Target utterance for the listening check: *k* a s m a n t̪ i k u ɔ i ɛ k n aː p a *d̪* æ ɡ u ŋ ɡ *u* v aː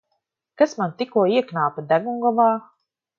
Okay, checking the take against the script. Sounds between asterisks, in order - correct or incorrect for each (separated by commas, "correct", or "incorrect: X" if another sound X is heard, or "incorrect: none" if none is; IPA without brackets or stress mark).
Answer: correct, correct, incorrect: ɔ